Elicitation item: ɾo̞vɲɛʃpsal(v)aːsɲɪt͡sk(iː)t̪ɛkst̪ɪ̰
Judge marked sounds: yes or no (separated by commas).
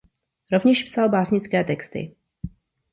no, no